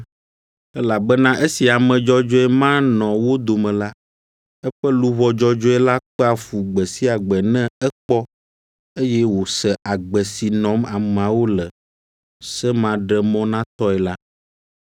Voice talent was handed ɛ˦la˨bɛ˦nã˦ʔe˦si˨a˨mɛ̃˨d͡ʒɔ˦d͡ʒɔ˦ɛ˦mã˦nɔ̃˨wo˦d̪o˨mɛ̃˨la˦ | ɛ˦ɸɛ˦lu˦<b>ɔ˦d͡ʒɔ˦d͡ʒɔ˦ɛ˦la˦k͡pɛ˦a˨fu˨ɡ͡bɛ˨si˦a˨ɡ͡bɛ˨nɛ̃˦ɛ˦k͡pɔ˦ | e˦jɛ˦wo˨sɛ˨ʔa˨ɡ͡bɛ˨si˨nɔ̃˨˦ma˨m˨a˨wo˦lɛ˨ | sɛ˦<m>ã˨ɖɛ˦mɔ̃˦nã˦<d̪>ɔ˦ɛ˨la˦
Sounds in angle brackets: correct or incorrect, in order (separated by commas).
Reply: incorrect, correct, incorrect